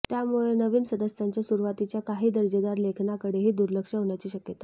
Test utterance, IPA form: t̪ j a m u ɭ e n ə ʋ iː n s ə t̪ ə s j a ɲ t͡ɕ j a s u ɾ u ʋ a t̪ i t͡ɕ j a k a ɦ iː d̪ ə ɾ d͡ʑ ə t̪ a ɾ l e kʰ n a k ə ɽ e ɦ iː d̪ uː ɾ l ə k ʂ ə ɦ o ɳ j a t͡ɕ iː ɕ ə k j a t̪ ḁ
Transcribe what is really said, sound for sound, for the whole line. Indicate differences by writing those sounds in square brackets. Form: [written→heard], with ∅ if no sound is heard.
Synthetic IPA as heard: t̪ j a m u ɭ e n ə ʋ iː n s ə [t̪→d̪] ə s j a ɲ t͡ɕ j a s u ɾ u ʋ a t̪ i t͡ɕ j a k a ɦ iː d̪ ə ɾ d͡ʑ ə [t̪→d̪] a ɾ l e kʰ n a k ə ɽ e ɦ iː d̪ [uː→u] ɾ l ə k ʂ ə ɦ o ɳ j a t͡ɕ iː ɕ ə k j [a→ə] t̪ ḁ

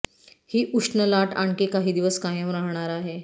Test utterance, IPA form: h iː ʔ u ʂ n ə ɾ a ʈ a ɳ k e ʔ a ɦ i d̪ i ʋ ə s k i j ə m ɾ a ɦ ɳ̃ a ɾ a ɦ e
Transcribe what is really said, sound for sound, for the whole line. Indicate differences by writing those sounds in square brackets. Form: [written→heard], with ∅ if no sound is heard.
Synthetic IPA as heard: h iː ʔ u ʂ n ə [ɾ→l] a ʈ a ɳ k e [ʔ→k] a ɦ [i→iː] d̪ i ʋ ə s k [i→a] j ə m ɾ a ɦ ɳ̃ a ɾ a ɦ e

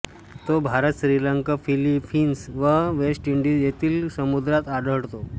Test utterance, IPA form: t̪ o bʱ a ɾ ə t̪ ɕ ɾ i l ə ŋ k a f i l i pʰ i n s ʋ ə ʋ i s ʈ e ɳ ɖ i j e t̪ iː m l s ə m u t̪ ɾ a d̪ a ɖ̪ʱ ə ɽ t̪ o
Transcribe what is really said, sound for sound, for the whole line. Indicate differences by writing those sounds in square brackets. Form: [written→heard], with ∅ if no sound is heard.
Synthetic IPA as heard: t̪ o bʱ a ɾ ə t̪ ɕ ɾ i l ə ŋ k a f i l i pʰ i n s ʋ ə ʋ [i→e] s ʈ [e→i] ɳ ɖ i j e t̪ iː [m→∅] l s ə m u [t̪→d̪] ɾ a [d̪→t̪] a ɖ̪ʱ ə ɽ t̪ o

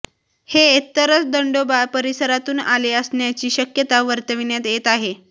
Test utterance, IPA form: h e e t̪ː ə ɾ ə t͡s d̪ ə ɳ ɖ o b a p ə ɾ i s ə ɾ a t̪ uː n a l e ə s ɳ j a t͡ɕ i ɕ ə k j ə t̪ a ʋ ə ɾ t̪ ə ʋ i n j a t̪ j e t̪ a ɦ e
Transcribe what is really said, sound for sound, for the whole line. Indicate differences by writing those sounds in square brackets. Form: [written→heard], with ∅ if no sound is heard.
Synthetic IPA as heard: h e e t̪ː ə ɾ ə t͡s d̪ ə ɳ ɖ o b a p ə ɾ i s ə ɾ a t̪ uː n a l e ə s ɳ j a t͡ɕ [i→iː] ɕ ə k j ə t̪ a ʋ ə ɾ t̪ ə ʋ i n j a t̪ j e t̪ a ɦ e

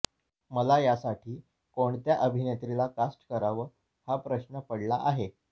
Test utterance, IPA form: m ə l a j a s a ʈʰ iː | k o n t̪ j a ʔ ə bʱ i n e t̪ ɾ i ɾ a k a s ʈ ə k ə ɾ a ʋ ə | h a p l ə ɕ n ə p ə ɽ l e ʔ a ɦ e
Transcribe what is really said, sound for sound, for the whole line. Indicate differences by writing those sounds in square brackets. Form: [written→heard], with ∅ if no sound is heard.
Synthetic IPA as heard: m ə l a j a s a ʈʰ iː | k o [n→ɳ] t̪ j a ʔ ə bʱ i n e t̪ ɾ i [ɾ→l] a k a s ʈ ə k ə ɾ a ʋ ə | h a p [l→ɾ] ə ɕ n ə p ə ɽ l [e→a] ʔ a ɦ e

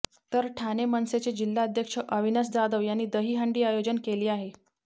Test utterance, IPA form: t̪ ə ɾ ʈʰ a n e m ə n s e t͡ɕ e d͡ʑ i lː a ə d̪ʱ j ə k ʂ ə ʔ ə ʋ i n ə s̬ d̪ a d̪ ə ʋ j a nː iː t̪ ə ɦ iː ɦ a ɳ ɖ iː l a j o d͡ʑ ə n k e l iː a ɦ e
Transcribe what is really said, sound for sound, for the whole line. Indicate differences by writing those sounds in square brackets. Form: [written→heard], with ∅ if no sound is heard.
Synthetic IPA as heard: t̪ ə ɾ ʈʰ a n e m ə n s e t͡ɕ e d͡ʑ i lː a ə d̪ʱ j ə k ʂ ə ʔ ə ʋ i n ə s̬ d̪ a d̪ ə ʋ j a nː iː [t̪→d̪] ə ɦ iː ɦ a ɳ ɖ iː [l→∅] a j o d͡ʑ ə n k e l iː a ɦ e

